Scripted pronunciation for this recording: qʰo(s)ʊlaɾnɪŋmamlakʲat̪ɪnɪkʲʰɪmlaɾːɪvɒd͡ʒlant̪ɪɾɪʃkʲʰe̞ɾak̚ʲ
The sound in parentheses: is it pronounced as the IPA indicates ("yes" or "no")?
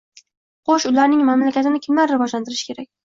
no